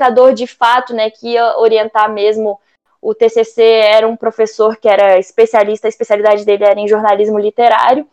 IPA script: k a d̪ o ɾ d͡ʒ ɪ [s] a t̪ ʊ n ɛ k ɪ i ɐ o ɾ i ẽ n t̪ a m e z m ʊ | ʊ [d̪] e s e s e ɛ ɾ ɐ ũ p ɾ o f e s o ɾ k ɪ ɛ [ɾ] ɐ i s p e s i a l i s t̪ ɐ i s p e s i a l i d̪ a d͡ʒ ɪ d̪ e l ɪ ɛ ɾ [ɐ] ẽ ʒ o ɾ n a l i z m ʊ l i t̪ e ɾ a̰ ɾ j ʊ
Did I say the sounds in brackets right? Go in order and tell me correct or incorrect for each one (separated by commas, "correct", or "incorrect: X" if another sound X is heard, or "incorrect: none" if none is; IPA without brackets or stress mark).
incorrect: f, incorrect: t̪, correct, correct